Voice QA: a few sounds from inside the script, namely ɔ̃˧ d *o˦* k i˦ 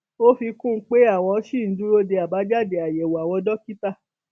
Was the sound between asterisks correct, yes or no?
no